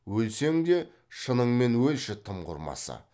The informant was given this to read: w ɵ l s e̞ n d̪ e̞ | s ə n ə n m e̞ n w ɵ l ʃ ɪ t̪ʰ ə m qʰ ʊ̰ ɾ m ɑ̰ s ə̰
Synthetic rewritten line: w ɵ l s e̞ ŋ d̪ e̞ | ʃ ə n ə ɴ m e̞ n w ɵ l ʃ ɪ t̪ʰ ə m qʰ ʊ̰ ɾ m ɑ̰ s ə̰